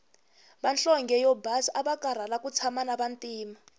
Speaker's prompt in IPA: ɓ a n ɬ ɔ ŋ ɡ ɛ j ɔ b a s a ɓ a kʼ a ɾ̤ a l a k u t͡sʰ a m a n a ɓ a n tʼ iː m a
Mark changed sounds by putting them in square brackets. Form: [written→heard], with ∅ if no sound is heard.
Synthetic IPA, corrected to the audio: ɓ a n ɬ ɔ ŋ ɡ ɛ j ɔ b a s a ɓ a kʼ a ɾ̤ a l a k u t͡sʰ a m a n a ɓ a n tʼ iː m a